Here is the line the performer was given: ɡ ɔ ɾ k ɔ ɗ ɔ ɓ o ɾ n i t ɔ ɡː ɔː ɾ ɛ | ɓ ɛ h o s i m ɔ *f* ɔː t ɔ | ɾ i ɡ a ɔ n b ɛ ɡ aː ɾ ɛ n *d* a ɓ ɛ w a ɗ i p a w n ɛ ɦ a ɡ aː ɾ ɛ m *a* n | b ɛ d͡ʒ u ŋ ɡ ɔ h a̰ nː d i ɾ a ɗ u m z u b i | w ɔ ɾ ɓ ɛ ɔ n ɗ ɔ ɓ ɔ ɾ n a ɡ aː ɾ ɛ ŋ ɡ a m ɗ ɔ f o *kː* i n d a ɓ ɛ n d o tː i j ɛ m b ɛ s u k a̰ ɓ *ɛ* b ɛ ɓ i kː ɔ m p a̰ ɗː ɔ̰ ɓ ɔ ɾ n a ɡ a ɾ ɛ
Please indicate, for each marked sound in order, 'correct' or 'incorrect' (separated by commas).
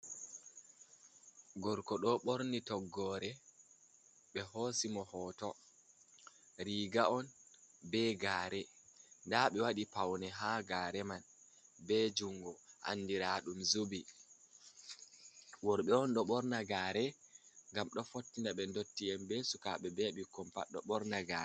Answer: incorrect, correct, correct, incorrect, correct